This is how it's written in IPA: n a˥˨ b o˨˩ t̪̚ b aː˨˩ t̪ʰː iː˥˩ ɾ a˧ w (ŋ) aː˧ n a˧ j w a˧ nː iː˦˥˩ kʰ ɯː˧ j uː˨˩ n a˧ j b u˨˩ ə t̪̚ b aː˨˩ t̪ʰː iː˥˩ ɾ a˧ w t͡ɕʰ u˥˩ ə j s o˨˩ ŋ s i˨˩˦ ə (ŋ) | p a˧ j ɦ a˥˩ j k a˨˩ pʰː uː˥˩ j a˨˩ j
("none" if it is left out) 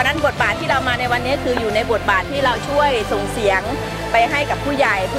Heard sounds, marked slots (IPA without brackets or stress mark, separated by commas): m, ŋ